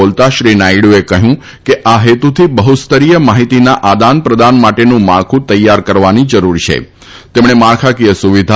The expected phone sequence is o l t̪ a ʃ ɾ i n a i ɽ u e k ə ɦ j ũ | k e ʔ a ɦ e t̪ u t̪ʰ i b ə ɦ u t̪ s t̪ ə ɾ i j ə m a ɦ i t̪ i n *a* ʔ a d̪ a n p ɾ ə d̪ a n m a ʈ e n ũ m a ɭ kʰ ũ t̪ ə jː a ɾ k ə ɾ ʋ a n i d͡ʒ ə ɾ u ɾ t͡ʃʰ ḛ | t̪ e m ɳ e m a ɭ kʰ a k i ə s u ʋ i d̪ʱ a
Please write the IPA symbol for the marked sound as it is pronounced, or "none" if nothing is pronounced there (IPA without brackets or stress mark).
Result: a